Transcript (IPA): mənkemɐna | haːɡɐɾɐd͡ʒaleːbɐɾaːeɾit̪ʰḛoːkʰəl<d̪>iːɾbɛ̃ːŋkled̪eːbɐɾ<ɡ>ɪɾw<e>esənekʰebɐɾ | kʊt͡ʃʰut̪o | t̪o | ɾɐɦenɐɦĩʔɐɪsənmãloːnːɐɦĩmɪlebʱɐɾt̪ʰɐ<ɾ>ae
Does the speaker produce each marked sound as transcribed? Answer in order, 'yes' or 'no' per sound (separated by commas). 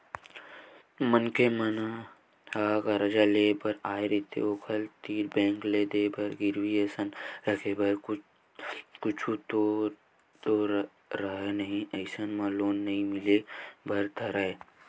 no, yes, no, yes